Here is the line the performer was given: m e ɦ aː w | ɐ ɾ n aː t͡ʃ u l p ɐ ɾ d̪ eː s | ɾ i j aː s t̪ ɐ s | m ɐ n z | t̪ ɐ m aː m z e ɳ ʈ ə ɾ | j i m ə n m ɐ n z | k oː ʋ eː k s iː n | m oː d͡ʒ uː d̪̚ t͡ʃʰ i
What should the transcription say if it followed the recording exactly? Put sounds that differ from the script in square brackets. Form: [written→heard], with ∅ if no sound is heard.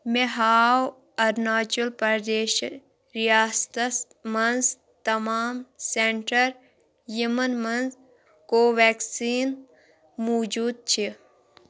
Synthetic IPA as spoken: m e ɦ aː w | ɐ ɾ n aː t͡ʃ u l p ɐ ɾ d̪ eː [s→ʃ] | ɾ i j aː s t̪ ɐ s | m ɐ n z | t̪ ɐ m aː m [z→s] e ɳ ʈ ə ɾ | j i m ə n m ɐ n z | k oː ʋ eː k s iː n | m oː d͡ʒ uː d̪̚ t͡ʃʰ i

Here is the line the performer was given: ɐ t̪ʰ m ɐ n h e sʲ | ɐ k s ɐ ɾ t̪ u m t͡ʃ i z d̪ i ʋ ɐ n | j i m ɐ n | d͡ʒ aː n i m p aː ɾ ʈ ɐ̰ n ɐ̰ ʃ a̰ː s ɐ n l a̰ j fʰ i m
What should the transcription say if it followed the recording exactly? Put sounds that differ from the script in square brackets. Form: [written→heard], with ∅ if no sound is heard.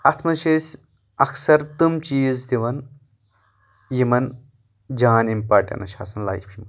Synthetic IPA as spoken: ɐ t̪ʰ m ɐ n [h→ʃ] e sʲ | ɐ k s ɐ ɾ t̪ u m t͡ʃ [i→iː] z d̪ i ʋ ɐ n | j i m ɐ n | d͡ʒ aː n i m p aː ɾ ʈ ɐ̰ n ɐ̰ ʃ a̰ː s ɐ n l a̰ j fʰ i m

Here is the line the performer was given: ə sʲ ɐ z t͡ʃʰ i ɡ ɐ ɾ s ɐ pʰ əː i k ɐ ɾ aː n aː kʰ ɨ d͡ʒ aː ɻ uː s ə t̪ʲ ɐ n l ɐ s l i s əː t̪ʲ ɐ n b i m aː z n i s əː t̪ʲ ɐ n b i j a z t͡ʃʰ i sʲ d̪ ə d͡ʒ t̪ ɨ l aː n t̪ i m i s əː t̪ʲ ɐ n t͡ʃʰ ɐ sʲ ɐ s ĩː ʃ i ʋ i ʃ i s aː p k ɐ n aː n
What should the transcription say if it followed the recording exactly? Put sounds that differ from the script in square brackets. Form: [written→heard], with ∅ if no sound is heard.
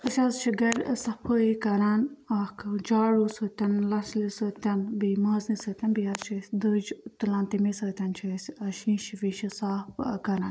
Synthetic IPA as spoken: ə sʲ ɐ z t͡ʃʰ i ɡ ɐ ɾ s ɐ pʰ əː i k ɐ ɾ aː n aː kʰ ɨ d͡ʒ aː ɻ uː s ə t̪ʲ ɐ n l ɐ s l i s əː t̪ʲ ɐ n b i m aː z n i s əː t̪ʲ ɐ n b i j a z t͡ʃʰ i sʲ d̪ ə d͡ʒ t̪ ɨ l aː n t̪ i m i s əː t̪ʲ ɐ n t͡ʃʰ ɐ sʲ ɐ [s→ʃ] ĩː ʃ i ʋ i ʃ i s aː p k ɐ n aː n

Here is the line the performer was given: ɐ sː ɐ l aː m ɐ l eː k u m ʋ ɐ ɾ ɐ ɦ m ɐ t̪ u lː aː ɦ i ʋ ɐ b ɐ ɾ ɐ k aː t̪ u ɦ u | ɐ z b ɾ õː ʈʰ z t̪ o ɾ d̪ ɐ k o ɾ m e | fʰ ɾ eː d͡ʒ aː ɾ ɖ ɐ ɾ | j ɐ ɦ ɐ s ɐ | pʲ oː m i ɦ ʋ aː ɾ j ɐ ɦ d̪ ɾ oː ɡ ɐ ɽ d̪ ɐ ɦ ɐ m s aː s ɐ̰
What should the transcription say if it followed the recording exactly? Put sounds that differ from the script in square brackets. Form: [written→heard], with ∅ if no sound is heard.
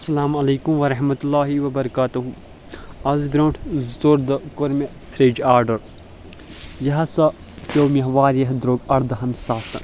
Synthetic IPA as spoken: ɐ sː ɐ l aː m ɐ l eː k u m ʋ ɐ ɾ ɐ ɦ m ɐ t̪ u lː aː ɦ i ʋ ɐ b ɐ ɾ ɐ k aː t̪ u ɦ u | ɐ z b ɾ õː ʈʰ z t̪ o ɾ d̪ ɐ k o ɾ m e | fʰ ɾ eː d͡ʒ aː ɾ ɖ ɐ ɾ | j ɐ ɦ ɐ s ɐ | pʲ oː m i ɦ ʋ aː ɾ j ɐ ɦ d̪ ɾ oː ɡ ɐ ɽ d̪ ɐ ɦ ɐ [m→n] s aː s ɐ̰

